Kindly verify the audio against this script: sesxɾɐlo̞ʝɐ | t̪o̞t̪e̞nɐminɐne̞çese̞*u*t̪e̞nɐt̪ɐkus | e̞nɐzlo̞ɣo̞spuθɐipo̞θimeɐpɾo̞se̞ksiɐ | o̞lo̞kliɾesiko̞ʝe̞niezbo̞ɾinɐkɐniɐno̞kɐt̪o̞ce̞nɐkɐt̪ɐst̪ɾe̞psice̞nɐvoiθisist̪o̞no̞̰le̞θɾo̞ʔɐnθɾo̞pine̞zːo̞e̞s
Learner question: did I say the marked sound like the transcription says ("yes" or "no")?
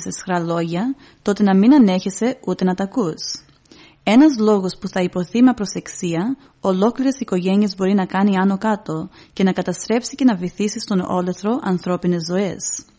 yes